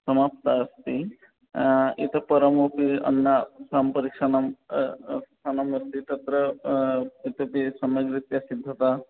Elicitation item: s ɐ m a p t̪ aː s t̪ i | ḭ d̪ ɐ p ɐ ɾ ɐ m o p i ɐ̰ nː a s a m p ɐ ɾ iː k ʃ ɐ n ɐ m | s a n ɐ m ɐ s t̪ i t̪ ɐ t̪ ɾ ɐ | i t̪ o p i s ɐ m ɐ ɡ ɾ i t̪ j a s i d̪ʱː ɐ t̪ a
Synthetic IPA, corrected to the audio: s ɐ m a p t̪ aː s t̪ i | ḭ t̪ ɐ p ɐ ɾ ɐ m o p i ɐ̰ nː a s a m p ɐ ɾ i k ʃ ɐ n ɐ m | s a n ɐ m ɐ s t̪ i t̪ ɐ t̪ ɾ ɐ | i t̪ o p i s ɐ m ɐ ɡ ɾ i t̪ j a s i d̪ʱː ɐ t̪ a